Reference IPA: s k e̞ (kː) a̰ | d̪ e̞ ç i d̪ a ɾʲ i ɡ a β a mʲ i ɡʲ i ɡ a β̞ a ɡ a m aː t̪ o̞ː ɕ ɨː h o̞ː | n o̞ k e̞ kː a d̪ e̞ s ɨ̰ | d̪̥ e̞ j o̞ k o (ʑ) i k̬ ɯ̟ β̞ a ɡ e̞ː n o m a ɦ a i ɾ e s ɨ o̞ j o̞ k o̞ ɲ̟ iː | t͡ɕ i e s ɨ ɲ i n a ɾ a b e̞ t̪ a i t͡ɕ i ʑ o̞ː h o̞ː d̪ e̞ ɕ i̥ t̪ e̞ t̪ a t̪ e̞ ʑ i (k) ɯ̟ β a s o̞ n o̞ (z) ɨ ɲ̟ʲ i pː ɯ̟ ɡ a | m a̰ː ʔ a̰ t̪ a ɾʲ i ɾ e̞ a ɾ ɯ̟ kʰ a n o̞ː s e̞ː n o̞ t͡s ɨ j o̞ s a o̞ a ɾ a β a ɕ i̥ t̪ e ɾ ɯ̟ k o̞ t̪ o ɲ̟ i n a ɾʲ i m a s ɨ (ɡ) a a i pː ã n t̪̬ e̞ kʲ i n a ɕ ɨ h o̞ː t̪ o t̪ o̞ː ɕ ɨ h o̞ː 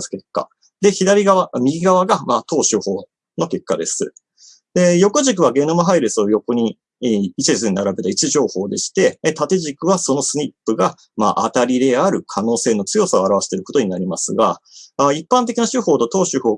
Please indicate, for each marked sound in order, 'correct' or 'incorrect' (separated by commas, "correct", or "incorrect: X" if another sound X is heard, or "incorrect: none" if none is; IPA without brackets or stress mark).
correct, correct, correct, incorrect: s, correct